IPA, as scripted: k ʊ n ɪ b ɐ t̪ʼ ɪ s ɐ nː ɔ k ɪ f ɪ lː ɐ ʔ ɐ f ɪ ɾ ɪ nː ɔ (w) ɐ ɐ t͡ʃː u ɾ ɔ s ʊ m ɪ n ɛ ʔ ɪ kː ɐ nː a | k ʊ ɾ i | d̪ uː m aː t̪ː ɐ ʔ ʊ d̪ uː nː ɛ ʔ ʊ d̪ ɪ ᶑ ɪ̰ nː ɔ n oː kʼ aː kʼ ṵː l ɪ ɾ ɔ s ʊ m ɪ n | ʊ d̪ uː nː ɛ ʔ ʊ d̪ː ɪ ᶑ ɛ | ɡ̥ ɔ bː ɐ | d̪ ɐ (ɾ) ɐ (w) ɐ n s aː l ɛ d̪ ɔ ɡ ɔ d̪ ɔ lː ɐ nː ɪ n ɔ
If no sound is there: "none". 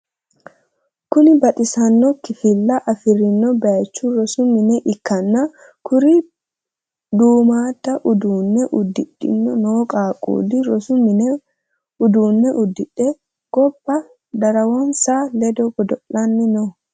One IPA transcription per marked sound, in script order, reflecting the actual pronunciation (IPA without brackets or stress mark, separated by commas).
b, ɾ, w